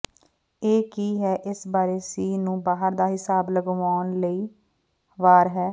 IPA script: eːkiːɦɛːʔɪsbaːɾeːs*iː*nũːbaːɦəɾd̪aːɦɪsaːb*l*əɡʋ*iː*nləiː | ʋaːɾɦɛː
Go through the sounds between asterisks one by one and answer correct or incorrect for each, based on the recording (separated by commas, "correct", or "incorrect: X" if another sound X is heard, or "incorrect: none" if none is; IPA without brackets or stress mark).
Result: correct, correct, incorrect: aː